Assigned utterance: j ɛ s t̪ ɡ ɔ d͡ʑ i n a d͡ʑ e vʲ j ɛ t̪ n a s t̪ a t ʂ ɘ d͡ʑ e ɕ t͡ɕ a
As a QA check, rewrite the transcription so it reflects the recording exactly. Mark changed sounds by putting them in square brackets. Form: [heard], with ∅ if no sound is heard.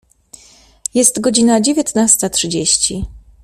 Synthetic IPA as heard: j ɛ s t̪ ɡ ɔ d͡ʑ i n a d͡ʑ e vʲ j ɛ t̪ n a s t̪ a t ʂ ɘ d͡ʑ e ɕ t͡ɕ [i]